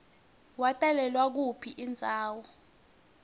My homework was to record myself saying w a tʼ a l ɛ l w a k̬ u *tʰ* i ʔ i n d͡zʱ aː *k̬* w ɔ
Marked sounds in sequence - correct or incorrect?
incorrect, incorrect

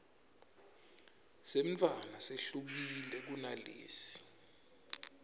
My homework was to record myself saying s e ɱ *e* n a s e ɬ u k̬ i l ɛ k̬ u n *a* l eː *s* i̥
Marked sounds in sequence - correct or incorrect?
incorrect, correct, correct

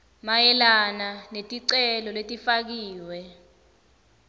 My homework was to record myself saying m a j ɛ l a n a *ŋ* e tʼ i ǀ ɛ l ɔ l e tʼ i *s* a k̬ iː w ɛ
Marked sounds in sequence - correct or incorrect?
incorrect, incorrect

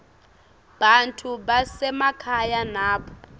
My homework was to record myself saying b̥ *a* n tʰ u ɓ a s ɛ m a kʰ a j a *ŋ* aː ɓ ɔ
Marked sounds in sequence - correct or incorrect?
correct, incorrect

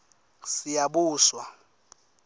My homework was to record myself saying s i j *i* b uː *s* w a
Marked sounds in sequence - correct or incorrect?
incorrect, correct

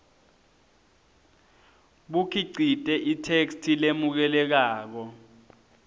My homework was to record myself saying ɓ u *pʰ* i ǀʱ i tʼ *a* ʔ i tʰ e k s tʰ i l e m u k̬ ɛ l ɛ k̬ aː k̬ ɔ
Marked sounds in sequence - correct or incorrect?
incorrect, incorrect

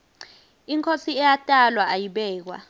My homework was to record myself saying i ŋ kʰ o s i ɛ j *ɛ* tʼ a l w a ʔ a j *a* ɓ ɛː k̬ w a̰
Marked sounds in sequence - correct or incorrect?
incorrect, incorrect

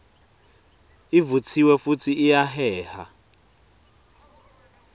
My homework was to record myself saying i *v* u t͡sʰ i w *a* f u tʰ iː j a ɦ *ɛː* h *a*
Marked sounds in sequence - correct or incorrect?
correct, incorrect, correct, correct

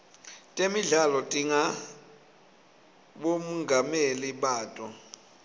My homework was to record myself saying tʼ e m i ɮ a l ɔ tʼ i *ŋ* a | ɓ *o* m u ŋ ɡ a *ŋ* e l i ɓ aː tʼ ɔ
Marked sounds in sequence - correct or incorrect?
correct, correct, incorrect

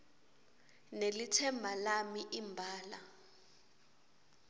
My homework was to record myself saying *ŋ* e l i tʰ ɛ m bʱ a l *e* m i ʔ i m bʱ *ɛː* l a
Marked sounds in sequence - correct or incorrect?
incorrect, incorrect, incorrect

